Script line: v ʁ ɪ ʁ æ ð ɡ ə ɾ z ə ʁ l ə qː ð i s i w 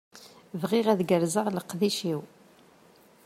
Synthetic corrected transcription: v ʁ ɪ ʁ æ ð ɡ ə ɾ z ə ʁ l ə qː ð i ʃ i w